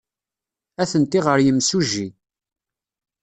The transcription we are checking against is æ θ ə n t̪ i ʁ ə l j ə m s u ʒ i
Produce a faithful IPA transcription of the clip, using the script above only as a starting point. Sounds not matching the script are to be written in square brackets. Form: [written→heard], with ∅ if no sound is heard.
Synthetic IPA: æ θ ə n t̪ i ʁ ə [l→ɾ] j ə m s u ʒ i

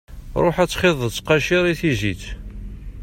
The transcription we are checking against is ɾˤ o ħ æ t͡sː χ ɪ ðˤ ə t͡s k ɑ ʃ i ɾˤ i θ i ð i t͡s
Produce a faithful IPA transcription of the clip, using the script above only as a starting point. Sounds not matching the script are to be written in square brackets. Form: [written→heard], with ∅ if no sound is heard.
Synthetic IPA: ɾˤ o ħ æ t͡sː χ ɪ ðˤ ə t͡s [k→q] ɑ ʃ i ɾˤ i θ i [ð→z] i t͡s

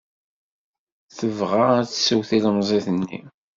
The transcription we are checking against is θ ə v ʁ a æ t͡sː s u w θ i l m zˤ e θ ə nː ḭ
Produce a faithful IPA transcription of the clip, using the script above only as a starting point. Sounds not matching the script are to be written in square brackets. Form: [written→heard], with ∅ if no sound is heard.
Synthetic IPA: θ ə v ʁ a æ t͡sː s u w θ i l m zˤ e θ ə nː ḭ

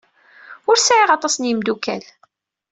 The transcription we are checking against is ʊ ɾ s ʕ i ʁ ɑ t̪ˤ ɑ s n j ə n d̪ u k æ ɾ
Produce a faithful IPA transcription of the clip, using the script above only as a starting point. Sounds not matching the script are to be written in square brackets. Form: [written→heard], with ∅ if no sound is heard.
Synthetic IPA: ʊ ɾ s ʕ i ʁ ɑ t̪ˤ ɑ s n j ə [n→m] d̪ u k æ [ɾ→l]

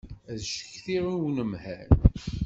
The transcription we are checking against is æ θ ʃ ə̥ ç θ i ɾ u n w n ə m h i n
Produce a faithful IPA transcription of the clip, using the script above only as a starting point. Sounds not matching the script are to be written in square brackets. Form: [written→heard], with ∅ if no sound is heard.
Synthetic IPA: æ [θ→ð] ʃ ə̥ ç θ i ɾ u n w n ə m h [i→æ] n

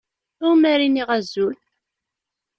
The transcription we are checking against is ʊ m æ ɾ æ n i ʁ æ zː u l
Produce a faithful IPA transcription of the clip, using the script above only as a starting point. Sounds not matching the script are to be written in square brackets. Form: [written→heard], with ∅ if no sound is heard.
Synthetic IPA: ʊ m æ ɾ [æ→i] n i ʁ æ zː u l

